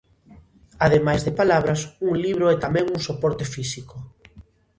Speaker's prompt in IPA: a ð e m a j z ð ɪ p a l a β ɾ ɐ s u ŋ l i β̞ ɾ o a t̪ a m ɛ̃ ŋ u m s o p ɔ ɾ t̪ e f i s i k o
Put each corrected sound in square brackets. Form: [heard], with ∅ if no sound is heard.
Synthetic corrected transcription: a ð e m a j z ð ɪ p a l a β ɾ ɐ s u ŋ l i β̞ ɾ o [ɛ] t̪ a m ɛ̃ ŋ u [ŋ] s o p ɔ ɾ t̪ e f i s i k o

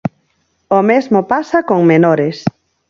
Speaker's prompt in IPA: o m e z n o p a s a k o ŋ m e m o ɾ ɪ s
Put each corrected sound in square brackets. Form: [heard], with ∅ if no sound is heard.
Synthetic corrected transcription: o m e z [m] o p a s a k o ŋ m e [n] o ɾ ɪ s

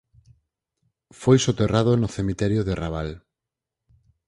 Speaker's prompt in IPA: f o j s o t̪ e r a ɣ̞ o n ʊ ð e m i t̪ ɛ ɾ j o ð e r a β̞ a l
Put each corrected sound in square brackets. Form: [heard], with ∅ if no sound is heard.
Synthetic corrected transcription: f o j s o t̪ e r a [ð̞] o n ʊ [θ] e m i t̪ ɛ ɾ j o ð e r a β̞ a l

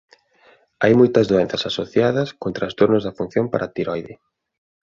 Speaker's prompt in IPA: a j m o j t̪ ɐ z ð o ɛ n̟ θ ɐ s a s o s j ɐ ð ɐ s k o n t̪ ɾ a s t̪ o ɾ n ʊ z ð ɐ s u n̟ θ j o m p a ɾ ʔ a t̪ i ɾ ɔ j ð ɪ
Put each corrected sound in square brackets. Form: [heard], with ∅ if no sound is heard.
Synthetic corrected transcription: a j m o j t̪ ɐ z ð o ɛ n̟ θ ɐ s a s o [θ] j [a] ð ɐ s k o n t̪ ɾ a s t̪ o ɾ n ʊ z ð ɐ [f] u n̟ θ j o m p a ɾ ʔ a t̪ i ɾ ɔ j ð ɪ

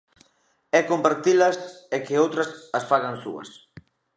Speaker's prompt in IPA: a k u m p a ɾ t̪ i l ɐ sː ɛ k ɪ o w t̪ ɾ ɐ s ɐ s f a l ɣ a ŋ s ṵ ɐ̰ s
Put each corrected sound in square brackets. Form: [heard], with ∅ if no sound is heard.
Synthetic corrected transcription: [ɛ] k [o] m p a ɾ t̪ i l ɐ [s] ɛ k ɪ o w t̪ ɾ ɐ s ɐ s f a [∅] ɣ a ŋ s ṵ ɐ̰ s

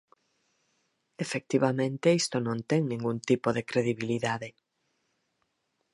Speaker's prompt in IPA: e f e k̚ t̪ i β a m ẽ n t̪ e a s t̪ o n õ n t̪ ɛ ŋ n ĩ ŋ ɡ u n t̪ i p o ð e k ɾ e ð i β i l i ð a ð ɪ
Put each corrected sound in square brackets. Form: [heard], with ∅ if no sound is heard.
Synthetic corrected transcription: e f e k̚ t̪ i β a m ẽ n t̪ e [i] s t̪ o n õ n t̪ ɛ ŋ n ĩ ŋ ɡ u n t̪ i p o ð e k ɾ e ð i β i l i ð a ð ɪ

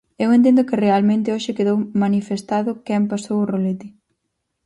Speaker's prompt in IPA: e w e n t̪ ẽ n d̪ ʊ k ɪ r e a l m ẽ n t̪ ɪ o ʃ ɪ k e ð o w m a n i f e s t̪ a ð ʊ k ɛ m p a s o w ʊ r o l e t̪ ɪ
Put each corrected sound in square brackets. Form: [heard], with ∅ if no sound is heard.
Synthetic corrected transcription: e w e n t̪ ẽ n d̪ ʊ k ɪ r e a l m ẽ n t̪ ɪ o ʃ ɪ k e ð o w m a n i f e s t̪ a ð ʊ k ɛ m p a s o w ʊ r o l e t̪ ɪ

